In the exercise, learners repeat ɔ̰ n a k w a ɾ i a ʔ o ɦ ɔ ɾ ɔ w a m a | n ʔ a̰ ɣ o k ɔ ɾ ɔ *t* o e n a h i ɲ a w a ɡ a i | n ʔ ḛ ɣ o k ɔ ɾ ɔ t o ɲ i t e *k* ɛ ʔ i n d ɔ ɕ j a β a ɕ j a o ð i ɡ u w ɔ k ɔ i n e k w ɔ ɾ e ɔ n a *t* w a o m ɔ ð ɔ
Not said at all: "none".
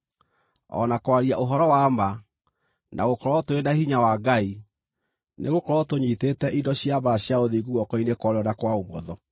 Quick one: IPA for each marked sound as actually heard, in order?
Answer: t, t, k

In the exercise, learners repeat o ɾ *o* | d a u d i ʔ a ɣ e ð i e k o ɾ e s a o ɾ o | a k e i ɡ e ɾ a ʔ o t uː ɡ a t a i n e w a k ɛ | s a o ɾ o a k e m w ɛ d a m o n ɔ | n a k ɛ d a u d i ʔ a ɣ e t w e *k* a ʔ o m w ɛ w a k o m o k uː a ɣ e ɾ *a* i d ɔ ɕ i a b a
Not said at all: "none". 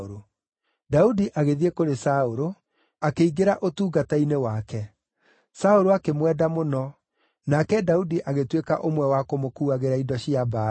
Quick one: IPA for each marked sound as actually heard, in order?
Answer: o, k, a

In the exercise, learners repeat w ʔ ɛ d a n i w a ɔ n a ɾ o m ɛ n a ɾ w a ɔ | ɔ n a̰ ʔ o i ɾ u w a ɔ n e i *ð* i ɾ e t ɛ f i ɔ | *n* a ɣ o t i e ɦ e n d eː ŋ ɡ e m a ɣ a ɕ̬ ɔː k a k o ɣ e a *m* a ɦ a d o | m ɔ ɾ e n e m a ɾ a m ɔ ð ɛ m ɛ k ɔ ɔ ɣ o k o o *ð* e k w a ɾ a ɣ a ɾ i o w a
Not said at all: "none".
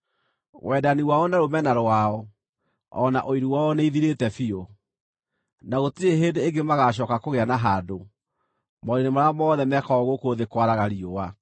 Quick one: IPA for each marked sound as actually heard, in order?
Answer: ð, n, n, ð

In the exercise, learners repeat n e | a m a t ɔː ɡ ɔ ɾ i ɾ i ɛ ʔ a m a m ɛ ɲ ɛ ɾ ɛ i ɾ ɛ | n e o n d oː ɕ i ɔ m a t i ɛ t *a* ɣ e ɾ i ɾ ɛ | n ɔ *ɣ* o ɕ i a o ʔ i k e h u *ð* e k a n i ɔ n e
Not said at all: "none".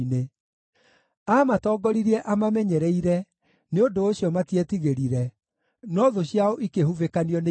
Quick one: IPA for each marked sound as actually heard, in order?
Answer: i, ð, v

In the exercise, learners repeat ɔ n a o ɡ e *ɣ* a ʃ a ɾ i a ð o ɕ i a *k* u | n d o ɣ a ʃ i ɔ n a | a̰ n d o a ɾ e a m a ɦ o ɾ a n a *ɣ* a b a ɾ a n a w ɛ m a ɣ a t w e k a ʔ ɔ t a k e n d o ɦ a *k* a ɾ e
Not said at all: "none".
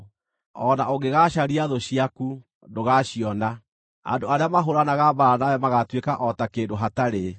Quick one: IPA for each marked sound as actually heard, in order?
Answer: ɣ, k, ɣ, t

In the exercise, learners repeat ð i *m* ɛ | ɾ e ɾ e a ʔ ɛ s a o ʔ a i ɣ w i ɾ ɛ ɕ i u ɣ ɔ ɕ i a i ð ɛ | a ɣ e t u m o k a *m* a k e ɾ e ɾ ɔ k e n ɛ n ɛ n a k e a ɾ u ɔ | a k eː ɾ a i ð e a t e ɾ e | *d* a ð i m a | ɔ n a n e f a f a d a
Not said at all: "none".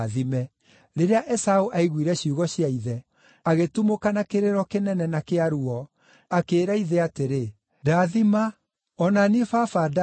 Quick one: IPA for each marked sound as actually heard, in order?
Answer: m, n, d

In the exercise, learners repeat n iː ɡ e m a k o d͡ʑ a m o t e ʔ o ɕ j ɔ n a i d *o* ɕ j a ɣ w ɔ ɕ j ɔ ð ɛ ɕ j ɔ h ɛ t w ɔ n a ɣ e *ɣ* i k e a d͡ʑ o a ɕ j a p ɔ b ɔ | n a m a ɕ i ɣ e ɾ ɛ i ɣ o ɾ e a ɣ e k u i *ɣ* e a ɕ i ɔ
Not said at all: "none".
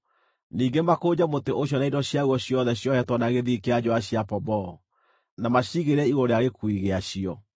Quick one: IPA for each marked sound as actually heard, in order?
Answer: ɔ, ð, ɣ

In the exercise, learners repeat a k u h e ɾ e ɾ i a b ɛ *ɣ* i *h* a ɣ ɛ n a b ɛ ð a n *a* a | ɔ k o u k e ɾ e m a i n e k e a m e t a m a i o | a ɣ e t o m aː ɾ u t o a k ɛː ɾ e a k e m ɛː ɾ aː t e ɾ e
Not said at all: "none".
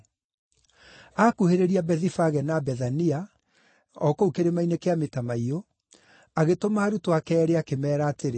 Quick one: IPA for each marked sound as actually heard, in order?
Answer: ð, f, i

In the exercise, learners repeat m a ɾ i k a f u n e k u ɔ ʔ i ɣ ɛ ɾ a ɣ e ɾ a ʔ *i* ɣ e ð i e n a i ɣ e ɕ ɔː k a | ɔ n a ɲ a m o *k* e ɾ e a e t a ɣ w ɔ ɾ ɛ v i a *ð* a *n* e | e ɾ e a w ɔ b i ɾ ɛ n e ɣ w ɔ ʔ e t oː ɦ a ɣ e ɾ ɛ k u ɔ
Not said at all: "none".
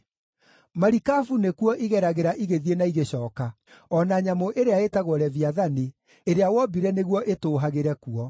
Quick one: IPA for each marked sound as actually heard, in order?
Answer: i, ʔ, ð, n

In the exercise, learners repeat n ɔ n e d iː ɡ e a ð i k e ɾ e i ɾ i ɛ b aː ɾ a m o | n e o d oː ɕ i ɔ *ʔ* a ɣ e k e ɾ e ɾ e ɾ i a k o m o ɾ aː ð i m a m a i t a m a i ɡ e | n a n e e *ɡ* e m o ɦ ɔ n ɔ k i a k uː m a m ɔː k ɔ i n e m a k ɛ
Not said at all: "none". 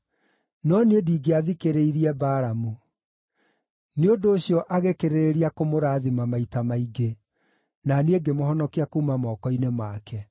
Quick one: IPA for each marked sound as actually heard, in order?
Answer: ʔ, ɡ

